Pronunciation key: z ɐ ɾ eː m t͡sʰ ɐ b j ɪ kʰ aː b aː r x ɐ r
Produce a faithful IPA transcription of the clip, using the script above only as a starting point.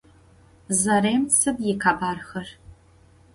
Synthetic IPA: z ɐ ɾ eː m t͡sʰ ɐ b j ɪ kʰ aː b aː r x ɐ r